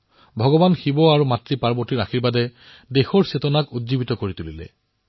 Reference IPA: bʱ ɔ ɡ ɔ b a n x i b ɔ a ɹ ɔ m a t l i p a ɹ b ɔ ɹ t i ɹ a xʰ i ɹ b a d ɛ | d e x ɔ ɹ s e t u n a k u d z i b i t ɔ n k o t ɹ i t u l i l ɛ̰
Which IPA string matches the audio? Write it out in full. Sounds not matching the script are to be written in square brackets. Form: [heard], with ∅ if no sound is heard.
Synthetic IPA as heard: bʱ ɔ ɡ ɔ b a n x i b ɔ a ɹ [u] m a t [ɹ] i p a ɹ b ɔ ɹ t i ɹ a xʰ i ɹ b a d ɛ | d e x ɔ ɹ s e t [ɔ] n a k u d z i b i t ɔ [∅] k o [∅] ɹ i t u l i l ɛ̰